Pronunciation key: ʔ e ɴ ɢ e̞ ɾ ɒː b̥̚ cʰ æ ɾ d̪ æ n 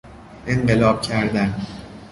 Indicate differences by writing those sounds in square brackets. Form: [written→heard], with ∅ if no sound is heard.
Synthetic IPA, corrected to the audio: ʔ e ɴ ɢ e̞ [ɾ→l] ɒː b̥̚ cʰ æ ɾ d̪ æ n